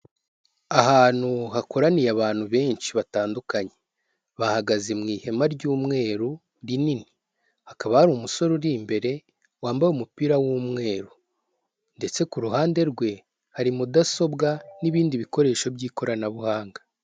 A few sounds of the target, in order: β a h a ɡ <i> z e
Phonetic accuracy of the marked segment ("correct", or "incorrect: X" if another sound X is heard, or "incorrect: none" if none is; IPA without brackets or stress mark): incorrect: a